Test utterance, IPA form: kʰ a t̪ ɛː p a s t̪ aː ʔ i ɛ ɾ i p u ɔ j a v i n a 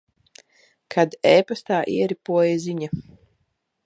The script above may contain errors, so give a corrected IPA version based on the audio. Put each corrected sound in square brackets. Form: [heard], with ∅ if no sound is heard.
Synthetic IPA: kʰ a [d̪] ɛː p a s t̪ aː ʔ i ɛ ɾ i p u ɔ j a [z] i [ɲ] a